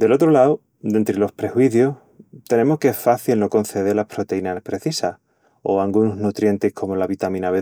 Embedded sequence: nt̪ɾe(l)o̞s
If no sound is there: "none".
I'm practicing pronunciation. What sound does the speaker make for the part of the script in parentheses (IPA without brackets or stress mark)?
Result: l